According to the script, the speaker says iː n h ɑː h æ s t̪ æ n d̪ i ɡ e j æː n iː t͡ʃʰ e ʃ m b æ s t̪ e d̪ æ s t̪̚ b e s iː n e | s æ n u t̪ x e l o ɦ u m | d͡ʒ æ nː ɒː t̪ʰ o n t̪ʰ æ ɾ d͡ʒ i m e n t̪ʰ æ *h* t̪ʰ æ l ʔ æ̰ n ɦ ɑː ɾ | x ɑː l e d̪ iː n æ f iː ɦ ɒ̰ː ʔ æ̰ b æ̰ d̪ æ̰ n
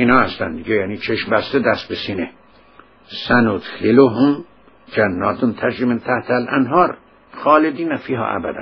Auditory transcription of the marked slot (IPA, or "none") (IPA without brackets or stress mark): h